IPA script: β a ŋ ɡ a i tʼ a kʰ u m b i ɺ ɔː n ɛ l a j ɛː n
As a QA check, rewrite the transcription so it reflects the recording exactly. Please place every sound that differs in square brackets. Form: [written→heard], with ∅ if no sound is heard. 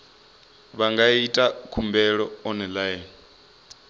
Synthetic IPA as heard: β a ŋ ɡ a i tʼ a kʰ u m b [i→ɛ] ɺ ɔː n ɛ l a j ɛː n

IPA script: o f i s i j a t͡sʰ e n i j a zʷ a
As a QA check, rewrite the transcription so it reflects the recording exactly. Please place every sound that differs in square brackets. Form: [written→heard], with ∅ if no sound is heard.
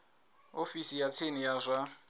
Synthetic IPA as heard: o f i s i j a t͡sʰ e n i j a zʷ a

